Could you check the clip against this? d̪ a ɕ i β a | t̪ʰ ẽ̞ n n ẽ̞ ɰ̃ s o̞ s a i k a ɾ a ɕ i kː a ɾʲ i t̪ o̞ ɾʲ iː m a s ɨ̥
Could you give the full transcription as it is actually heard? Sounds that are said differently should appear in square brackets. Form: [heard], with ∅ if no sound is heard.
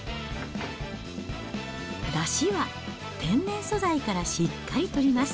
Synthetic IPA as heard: d̪ a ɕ i β a | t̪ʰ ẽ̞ n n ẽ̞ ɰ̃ s o̞ [z] a i k a ɾ a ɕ i kː a ɾʲ i t̪ o̞ ɾʲ [i] m a s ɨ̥